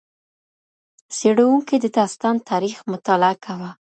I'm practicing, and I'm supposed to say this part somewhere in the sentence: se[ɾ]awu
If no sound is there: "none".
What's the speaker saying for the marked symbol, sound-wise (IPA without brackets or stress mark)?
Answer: ɽ